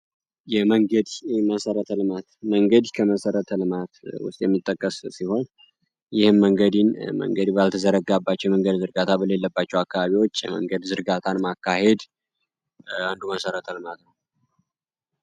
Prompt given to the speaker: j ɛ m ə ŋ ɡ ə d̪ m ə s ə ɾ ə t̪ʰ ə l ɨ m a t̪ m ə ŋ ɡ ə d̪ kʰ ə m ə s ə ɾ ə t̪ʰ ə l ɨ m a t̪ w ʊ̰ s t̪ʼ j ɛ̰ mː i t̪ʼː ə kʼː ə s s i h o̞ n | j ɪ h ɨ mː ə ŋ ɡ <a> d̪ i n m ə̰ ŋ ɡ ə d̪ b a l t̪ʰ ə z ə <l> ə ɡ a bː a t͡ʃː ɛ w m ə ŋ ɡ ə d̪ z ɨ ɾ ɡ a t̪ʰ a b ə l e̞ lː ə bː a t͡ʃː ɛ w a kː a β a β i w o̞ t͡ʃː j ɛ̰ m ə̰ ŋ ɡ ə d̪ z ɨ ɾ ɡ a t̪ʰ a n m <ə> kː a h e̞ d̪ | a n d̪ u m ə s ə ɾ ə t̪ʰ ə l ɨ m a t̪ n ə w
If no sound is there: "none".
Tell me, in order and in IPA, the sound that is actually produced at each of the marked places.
ə, ɾ, a

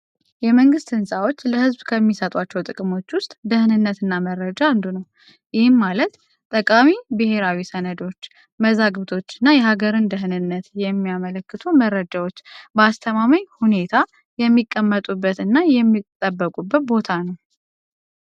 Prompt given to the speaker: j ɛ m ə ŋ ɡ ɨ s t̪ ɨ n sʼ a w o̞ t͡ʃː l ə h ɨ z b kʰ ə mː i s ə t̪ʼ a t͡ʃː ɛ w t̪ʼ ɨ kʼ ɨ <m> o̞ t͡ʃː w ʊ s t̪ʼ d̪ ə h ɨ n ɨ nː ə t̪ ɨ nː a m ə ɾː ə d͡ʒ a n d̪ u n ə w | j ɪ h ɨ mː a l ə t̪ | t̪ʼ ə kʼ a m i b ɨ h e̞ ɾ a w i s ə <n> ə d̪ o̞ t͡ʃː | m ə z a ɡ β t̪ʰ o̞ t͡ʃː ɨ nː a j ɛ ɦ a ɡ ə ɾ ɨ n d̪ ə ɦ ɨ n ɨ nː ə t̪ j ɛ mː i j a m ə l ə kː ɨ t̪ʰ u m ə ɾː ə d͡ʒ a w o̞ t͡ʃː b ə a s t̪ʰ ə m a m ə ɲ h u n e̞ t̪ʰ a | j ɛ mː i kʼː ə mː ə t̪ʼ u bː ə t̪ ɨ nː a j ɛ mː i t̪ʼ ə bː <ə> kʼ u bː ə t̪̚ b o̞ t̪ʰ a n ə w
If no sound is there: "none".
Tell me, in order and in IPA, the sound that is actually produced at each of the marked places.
m, n, ə

